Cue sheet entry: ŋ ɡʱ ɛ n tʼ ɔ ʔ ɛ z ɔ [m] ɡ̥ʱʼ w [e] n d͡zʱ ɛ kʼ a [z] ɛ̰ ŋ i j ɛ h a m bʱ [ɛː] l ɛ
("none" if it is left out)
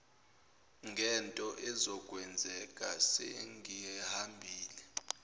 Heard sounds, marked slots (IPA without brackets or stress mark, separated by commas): none, ɛ, s, iː